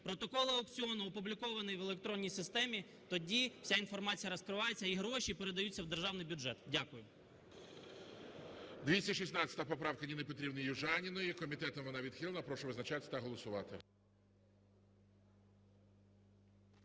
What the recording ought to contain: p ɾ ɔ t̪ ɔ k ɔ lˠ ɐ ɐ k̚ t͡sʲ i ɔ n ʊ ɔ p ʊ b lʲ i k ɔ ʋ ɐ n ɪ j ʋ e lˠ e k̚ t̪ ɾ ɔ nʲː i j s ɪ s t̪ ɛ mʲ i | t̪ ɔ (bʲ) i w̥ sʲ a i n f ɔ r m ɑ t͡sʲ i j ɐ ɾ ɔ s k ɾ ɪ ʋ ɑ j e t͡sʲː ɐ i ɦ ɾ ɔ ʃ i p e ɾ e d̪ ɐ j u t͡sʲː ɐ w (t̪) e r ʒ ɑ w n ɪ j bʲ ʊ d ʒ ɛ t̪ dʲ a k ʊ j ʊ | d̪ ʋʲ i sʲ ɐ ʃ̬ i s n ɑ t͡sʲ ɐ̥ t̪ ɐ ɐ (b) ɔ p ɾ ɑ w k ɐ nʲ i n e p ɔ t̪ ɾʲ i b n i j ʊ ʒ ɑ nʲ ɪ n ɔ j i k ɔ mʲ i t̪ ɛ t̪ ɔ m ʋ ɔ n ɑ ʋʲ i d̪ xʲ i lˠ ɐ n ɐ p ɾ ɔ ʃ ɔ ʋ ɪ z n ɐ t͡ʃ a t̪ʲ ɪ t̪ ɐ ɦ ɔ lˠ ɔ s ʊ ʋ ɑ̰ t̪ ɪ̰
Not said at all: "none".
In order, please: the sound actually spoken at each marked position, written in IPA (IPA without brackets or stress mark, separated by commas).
dʲ, d̪, p